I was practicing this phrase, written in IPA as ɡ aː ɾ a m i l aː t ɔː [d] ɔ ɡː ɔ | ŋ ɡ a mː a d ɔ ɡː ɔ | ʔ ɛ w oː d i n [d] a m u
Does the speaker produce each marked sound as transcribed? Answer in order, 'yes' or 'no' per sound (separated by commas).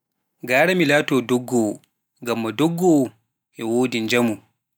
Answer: yes, no